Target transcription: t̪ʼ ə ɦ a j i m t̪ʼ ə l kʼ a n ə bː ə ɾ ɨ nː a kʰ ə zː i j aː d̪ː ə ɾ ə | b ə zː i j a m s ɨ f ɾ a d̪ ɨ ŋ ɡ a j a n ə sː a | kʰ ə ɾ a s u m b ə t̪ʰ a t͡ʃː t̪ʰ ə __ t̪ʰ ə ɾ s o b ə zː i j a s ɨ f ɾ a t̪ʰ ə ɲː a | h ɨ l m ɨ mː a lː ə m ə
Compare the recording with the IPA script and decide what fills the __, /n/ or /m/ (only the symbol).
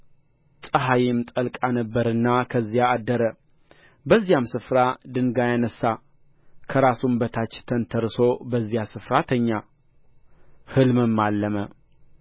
n